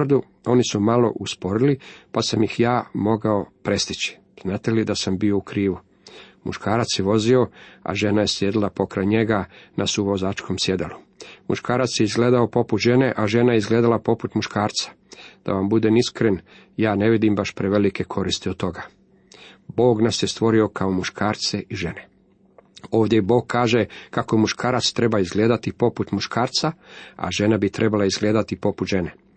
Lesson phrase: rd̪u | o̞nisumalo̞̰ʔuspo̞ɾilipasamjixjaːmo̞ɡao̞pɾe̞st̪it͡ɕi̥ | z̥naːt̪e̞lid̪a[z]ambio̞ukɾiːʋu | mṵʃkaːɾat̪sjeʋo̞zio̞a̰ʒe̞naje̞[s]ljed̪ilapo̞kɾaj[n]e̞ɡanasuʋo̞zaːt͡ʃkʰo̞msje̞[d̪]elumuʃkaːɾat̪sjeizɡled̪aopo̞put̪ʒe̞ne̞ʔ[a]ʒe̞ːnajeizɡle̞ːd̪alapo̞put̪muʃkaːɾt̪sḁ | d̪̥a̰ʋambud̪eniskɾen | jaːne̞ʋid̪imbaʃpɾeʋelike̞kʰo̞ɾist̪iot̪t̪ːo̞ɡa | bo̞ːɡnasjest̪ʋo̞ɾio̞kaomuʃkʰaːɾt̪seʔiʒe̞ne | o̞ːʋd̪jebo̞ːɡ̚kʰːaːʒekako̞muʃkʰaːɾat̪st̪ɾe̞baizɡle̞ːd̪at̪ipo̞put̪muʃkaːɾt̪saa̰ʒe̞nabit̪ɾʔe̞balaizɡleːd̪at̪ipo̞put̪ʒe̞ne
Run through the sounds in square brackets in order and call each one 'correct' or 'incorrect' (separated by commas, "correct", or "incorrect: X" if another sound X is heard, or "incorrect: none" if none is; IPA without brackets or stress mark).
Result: incorrect: s, correct, incorrect: ɲ, correct, correct